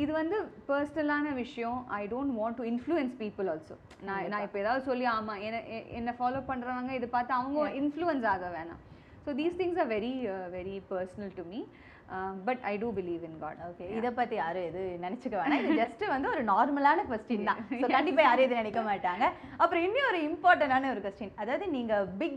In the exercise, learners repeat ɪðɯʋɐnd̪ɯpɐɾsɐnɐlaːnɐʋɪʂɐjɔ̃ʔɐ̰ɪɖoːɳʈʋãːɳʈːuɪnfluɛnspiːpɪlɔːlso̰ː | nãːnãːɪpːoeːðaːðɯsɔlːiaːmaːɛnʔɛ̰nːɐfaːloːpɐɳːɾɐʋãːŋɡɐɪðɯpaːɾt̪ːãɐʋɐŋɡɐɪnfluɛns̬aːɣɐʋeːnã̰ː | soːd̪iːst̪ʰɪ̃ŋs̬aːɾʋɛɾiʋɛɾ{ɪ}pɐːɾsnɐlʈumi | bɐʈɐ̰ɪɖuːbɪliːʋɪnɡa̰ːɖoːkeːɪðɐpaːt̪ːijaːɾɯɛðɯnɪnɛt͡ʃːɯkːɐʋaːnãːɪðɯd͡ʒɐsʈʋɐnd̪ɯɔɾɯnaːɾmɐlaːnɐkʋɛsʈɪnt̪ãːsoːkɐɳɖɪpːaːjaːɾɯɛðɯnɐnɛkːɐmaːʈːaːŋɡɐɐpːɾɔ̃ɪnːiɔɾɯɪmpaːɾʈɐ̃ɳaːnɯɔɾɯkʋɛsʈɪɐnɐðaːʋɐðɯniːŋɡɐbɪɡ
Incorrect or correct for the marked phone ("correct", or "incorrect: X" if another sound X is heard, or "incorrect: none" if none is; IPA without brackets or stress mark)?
incorrect: i